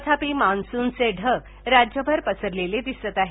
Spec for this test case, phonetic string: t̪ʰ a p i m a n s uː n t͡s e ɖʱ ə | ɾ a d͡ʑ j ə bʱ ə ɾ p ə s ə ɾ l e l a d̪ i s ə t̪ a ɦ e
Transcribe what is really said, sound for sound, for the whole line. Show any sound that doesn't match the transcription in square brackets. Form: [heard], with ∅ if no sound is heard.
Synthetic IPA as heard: t̪ʰ a p i m a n s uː n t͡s e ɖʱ ə | ɾ a d͡ʑ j ə bʱ ə ɾ p ə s ə ɾ l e l [e] d̪ i s ə t̪ a ɦ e

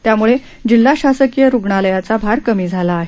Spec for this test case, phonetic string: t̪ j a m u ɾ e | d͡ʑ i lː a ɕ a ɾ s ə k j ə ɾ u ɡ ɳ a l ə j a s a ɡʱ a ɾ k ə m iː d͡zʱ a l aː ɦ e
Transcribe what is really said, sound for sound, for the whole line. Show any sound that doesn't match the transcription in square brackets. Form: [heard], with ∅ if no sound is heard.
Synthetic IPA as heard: t̪ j a m u [ɭ] e | d͡ʑ i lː a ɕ a [∅] s ə k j ə ɾ u ɡ ɳ a l ə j a [t͡s] a [bʱ] a ɾ k ə m iː d͡zʱ a l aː ɦ e

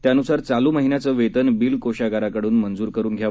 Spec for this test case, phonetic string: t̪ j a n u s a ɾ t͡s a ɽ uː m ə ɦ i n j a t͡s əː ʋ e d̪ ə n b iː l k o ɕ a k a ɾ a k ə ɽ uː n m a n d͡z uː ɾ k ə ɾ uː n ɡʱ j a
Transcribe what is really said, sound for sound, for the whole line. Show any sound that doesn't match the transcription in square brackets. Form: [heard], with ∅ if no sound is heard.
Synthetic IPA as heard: t̪ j a n u s a ɾ t͡s a [l] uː m ə ɦ i n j a t͡s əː ʋ e [t̪] ə n b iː l k o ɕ a [ɡ] a ɾ a k ə ɽ uː n m [ə] n d͡z uː ɾ k ə ɾ uː n ɡʱ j a

